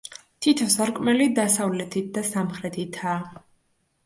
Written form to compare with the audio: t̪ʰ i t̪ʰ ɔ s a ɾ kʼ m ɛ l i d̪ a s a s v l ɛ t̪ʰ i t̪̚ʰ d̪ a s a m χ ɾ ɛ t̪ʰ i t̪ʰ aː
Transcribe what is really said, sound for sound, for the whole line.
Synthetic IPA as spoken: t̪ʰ i t̪ʰ ɔ s a ɾ kʼ m ɛ l i d̪ a s a v l ɛ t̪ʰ i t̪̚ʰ d̪ a s a m χ ɾ ɛ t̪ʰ i t̪ʰ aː